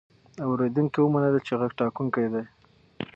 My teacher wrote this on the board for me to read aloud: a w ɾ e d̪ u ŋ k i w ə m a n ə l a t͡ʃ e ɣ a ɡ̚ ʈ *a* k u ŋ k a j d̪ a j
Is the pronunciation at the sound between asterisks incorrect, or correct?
incorrect